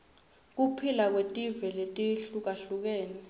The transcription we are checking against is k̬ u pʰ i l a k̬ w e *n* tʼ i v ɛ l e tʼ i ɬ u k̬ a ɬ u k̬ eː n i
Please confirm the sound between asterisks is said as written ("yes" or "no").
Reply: no